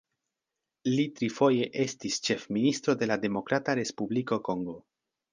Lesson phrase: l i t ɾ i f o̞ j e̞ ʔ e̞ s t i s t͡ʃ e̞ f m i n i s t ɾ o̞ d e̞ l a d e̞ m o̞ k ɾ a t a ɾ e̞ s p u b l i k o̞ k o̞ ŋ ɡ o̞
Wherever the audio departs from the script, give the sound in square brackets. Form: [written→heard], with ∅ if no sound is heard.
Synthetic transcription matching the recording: l i t ɾ i f o̞ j e̞ ʔ e̞ s t i s t͡ʃ e̞ f m i n i s t ɾ o̞ d e̞ l a d e̞ m o̞ k ɾ a t a ɾ e̞ s p u b l i k o̞ k o̞ ŋ ɡ o̞